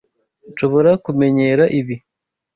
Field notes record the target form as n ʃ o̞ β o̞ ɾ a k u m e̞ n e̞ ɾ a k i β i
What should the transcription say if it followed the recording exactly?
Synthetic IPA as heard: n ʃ o̞ β o̞ ɾ a k u m e̞ ɲ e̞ ɾ a ʔ i β i